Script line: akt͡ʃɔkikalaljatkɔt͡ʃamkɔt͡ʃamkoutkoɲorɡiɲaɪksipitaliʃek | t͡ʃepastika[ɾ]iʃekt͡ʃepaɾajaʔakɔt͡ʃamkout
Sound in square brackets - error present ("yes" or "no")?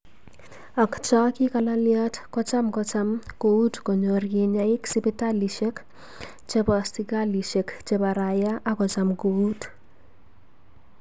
yes